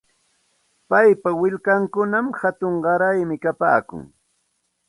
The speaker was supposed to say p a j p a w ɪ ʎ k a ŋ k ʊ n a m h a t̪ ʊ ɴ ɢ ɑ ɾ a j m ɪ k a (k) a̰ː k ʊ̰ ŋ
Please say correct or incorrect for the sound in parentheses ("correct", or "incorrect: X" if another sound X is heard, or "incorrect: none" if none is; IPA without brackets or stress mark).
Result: incorrect: p